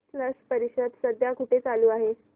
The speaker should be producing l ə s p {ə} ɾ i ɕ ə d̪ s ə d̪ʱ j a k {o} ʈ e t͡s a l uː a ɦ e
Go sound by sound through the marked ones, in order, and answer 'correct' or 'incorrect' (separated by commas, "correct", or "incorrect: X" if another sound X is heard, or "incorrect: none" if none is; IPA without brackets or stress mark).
correct, incorrect: u